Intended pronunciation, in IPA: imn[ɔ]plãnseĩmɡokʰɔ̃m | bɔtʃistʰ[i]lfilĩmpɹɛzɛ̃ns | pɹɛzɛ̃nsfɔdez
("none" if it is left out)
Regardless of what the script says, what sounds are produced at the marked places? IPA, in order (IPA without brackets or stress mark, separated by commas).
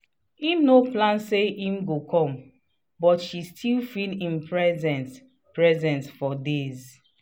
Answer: o, i